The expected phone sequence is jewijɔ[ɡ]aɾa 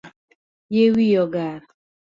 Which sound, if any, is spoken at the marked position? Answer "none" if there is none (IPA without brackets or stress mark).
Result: ɡ